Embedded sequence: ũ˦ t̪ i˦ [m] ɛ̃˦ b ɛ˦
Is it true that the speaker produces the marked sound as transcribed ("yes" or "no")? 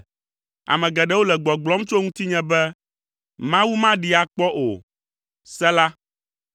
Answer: no